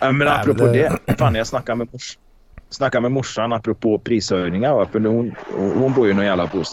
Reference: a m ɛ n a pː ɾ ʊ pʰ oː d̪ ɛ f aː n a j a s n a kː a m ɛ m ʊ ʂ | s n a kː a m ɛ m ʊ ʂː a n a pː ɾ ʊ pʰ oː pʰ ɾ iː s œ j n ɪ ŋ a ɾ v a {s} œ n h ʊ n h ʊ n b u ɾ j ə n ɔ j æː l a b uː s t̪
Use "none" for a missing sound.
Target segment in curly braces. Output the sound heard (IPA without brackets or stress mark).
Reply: f